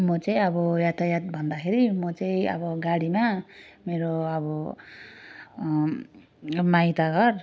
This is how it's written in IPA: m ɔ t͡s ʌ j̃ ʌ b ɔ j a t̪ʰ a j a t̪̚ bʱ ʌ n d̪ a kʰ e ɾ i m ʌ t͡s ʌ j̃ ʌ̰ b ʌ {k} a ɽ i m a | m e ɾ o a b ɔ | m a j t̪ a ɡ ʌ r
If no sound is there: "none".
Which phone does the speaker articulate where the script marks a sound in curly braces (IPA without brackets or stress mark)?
ɡ